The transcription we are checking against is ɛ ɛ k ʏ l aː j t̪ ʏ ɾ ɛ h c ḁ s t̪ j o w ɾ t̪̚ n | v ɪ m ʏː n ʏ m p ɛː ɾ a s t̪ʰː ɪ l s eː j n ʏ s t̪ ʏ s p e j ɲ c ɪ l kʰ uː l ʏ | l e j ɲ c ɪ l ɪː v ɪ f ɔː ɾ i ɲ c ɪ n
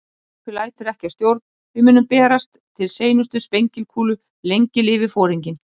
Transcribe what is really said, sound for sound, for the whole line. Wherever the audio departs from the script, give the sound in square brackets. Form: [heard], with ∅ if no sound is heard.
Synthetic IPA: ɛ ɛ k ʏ l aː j t̪ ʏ ɾ ɛ h c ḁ s t̪ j o w ɾ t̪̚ n | v ɪ m ʏː n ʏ m p ɛː ɾ a s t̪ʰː ɪ l s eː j n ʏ s t̪ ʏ s p e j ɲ c ɪ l kʰ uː l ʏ | l e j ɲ c ɪ l ɪː v ɪ f ɔː ɾ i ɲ c ɪ n